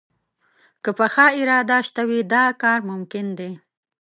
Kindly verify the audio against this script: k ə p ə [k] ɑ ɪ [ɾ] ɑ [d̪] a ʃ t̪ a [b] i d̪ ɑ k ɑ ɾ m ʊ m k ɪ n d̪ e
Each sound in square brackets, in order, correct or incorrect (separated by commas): incorrect, correct, correct, incorrect